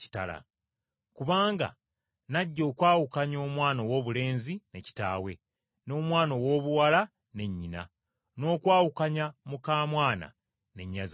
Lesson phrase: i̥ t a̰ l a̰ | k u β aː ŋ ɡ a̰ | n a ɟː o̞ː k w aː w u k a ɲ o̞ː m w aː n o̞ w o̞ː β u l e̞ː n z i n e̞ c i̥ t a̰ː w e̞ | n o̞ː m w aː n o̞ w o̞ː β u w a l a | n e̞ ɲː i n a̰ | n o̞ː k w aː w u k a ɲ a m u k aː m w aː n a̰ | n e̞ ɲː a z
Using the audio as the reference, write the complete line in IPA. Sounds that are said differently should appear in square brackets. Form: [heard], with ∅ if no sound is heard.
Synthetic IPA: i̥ t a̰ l a̰ | k u β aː ŋ ɡ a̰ | n a ɟː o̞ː k w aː w u k a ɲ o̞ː m w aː n o̞ w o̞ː β u l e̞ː n z i n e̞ c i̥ t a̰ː w e̞ | n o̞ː m w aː n o̞ w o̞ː β u w a l a | n e̞ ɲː i n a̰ | n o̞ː k w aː w u k a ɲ a m u k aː m w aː n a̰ | n e̞ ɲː a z